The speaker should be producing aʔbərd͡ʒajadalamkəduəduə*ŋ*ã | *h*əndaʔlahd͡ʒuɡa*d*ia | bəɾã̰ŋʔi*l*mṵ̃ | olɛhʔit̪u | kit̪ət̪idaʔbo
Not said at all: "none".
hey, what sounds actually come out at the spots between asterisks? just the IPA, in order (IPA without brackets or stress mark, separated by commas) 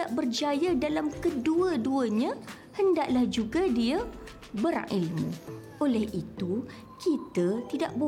ɲ, h, d, l